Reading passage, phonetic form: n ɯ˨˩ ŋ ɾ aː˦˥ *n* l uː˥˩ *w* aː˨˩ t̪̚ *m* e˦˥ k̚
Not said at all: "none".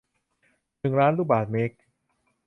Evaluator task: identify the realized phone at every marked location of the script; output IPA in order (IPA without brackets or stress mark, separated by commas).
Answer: n, b, m